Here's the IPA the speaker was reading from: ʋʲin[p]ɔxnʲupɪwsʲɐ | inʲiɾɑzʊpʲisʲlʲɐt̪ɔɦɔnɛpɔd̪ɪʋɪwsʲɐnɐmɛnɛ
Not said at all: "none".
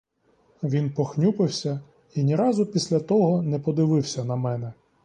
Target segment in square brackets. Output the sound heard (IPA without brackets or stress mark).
p